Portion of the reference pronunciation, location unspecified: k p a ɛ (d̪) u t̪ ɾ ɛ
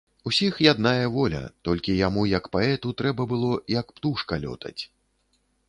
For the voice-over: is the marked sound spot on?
no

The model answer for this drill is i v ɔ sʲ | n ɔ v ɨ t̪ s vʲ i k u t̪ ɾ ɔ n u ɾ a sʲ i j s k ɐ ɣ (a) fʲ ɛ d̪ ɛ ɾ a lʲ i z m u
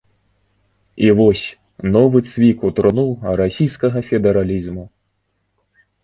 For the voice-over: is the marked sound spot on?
no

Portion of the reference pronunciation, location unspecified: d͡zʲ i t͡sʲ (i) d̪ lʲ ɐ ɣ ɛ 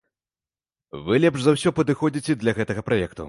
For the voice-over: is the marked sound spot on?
no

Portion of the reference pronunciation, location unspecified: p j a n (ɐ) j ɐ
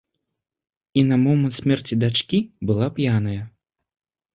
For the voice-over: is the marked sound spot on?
yes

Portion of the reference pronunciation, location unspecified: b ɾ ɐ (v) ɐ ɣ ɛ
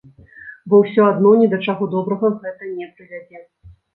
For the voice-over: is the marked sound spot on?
no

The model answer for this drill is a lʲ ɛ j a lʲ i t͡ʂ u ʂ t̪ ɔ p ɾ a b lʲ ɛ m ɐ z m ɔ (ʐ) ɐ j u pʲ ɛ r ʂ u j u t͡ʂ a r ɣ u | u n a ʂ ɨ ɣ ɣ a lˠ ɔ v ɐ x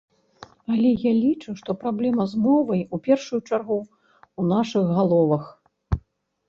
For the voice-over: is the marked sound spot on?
no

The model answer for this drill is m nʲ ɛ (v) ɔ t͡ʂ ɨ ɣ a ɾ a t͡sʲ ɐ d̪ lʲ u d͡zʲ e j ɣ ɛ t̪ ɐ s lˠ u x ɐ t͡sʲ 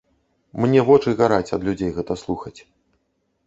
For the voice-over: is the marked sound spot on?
yes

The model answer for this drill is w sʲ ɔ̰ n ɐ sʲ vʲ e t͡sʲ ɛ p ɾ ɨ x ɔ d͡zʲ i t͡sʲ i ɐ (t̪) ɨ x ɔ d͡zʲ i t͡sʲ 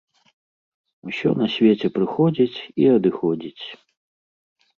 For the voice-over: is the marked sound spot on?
no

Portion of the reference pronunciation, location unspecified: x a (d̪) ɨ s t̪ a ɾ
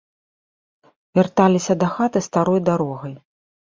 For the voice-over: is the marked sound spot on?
no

